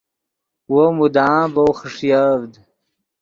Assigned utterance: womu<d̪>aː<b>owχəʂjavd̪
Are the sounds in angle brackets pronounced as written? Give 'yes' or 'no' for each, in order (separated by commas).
yes, yes